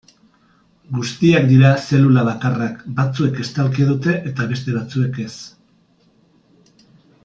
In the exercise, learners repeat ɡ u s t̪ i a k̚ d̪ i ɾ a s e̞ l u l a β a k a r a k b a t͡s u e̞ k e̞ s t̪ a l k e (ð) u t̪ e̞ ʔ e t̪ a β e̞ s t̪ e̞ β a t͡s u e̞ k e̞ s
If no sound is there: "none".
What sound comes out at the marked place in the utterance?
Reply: ð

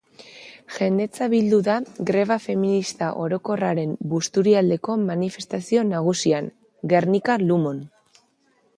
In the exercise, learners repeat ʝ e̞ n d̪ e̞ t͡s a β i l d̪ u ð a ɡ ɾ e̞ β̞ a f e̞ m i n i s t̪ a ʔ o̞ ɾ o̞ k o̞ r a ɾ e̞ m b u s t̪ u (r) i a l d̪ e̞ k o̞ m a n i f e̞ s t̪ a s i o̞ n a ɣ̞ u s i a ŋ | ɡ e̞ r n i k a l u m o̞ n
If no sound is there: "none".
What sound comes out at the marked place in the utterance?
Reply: ɾ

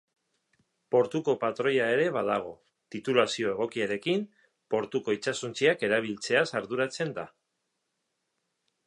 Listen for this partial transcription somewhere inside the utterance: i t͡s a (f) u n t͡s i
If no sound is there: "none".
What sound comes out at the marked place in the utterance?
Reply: s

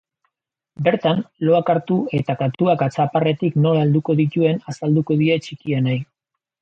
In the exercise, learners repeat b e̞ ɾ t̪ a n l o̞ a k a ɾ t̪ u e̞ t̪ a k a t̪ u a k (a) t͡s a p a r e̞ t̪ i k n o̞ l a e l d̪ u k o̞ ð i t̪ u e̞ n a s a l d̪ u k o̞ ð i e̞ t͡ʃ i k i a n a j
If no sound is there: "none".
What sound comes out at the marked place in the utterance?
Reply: a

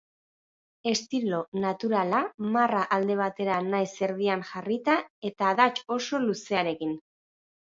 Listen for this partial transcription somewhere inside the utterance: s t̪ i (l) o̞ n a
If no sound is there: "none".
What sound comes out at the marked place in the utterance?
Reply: l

